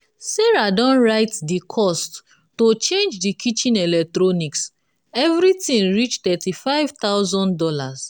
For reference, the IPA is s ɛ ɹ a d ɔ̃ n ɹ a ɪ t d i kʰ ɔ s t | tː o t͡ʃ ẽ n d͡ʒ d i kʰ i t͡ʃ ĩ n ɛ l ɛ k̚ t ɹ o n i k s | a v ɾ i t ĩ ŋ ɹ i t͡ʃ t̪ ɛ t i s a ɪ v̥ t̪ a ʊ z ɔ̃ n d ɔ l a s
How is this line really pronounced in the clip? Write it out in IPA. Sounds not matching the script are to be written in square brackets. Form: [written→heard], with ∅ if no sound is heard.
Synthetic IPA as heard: s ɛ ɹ a d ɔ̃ n ɹ a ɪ t d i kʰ ɔ s t | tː o t͡ʃ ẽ n d͡ʒ d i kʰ i t͡ʃ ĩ n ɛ l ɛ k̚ t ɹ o n i k s | [a→ɛ] v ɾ i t ĩ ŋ ɹ i t͡ʃ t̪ ɛ t i [s→f] a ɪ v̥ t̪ a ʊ z ɔ̃ n d ɔ l a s